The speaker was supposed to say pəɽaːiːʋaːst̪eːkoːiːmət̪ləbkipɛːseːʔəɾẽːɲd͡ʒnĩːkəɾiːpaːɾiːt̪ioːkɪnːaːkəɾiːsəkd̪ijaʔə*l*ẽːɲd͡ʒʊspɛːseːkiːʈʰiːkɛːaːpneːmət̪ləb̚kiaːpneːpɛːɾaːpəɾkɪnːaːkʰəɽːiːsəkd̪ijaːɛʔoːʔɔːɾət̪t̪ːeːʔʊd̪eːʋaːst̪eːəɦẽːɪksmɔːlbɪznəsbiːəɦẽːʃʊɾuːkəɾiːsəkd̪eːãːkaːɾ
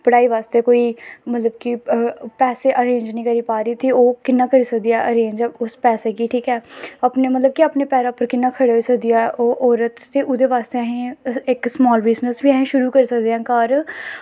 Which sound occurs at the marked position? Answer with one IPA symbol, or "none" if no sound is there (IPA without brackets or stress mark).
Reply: ɾ